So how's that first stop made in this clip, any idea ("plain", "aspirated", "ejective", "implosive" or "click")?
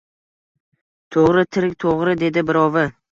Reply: aspirated